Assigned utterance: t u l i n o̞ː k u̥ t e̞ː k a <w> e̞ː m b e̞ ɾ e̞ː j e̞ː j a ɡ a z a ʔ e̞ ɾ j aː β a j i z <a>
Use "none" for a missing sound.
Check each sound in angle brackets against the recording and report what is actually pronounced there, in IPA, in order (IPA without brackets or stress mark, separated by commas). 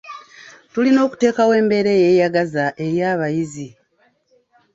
w, i